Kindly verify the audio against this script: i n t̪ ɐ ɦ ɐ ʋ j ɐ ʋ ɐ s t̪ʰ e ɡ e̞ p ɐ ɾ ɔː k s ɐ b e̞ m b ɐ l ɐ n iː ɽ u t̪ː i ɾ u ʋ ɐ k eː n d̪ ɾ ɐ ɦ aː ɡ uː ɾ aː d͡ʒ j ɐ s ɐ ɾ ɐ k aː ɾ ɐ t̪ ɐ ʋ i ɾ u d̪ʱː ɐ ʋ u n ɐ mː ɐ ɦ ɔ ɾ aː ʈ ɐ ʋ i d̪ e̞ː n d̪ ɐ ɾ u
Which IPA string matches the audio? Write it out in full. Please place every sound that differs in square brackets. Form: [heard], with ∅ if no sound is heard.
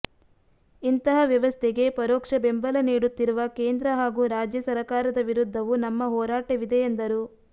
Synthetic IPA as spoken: i n t̪ ɐ ɦ ɐ ʋ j ɐ ʋ ɐ s t̪ʰ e ɡ e̞ p ɐ ɾ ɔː k [ʂ] ɐ b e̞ m b ɐ l ɐ n iː ɽ u t̪ː i ɾ u ʋ ɐ k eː n d̪ ɾ ɐ ɦ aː ɡ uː ɾ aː d͡ʒ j ɐ s ɐ ɾ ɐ k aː ɾ ɐ [d̪] ɐ ʋ i ɾ u d̪ʱː ɐ ʋ u n ɐ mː ɐ ɦ [ɔː] ɾ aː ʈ ɐ ʋ i d̪ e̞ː n d̪ ɐ ɾ u